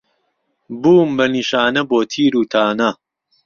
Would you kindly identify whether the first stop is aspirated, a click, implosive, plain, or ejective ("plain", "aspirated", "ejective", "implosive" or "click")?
plain